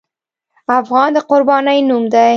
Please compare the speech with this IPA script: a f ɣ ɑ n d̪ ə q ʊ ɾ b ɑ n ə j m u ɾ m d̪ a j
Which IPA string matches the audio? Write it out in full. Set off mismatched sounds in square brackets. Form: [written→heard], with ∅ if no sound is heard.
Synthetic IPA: a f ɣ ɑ n d̪ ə q ʊ ɾ b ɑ n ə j [m→n] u [ɾ→∅] m d̪ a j